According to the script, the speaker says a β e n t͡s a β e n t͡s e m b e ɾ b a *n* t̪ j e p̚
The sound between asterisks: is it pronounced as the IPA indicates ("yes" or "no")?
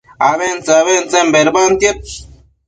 yes